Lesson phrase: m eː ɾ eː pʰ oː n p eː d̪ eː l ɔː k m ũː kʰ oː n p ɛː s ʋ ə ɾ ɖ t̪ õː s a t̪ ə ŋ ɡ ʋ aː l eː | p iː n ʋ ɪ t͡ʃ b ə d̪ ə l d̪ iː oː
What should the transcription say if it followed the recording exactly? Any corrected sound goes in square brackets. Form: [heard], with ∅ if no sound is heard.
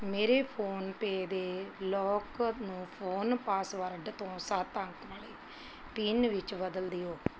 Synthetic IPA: m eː ɾ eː pʰ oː n p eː d̪ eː l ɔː k [n] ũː [pʰ] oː n p [aː] s ʋ ə ɾ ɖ t̪ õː s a t̪ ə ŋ [k] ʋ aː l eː | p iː n ʋ ɪ t͡ʃ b ə d̪ ə l d̪ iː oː